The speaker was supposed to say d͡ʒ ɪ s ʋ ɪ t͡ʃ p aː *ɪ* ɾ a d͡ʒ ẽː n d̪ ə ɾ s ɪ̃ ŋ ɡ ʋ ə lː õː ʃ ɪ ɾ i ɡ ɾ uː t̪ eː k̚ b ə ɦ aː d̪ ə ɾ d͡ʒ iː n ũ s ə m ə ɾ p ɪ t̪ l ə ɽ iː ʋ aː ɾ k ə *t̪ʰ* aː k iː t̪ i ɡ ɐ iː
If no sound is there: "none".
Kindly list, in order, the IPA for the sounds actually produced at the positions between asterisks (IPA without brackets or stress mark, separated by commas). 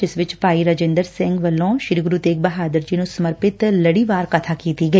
i, t̪ʰ